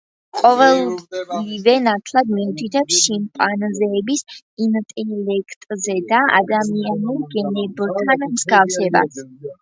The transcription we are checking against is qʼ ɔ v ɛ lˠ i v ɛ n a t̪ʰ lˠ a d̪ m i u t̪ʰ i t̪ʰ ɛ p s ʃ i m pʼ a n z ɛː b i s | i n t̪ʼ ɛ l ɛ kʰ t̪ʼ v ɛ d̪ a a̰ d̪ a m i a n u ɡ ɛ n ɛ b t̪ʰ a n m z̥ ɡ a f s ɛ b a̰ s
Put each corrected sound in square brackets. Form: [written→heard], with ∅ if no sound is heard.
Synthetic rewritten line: qʼ ɔ v ɛ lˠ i v ɛ n a t̪ʰ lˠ a d̪ m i u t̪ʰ i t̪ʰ ɛ p s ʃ i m pʼ a n z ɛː b i s | i n t̪ʼ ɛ l ɛ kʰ t̪ʼ [v→z] ɛ d̪ a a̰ d̪ a m i a n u ɡ ɛ n ɛ b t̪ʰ a n m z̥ ɡ a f s ɛ b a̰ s